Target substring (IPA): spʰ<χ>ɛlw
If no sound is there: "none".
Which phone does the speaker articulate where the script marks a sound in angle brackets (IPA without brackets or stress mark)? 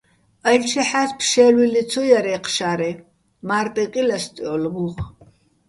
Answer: ʃ